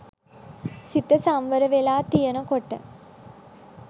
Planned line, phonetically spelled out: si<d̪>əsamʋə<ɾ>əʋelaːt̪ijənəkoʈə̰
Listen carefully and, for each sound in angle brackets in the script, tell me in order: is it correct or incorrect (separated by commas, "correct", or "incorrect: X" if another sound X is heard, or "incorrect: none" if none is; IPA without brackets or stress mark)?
incorrect: t̪, correct